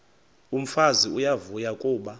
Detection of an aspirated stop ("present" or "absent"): absent